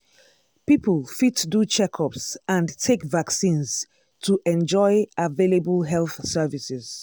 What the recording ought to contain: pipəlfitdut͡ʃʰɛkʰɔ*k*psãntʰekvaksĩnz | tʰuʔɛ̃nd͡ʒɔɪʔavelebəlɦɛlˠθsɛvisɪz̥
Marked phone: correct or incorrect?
incorrect